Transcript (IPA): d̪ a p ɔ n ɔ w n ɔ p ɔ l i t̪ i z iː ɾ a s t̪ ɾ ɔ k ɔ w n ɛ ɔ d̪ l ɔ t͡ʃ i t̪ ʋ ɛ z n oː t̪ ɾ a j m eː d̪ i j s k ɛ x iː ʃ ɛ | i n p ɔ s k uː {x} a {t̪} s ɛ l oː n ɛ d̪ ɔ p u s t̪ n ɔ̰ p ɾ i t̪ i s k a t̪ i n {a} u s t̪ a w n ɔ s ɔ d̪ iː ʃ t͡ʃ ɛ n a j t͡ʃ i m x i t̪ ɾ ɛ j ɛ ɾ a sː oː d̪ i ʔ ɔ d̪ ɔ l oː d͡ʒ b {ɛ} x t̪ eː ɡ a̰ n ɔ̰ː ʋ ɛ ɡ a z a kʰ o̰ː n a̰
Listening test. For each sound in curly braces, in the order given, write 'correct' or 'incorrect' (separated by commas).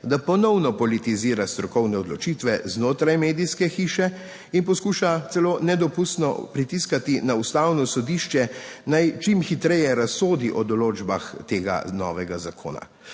incorrect, correct, correct, incorrect